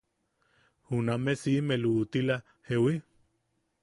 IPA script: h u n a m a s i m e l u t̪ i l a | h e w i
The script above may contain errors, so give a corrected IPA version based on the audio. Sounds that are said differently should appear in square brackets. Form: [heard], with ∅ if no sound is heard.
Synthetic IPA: h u n a m [e] s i m e l u t̪ i l a | h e w i